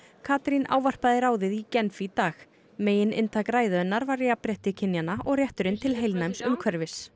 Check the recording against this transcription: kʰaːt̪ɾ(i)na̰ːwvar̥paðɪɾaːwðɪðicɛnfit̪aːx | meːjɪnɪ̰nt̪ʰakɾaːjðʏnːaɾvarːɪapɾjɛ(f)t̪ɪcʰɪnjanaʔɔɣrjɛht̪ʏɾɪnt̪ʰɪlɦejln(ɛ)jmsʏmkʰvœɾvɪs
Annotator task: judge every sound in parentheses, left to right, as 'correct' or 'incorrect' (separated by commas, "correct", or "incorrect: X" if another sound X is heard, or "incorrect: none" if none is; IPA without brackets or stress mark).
correct, incorrect: h, incorrect: a